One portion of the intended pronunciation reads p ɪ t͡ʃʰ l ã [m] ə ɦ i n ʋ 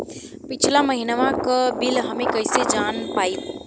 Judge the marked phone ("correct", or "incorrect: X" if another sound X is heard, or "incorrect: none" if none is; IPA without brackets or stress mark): correct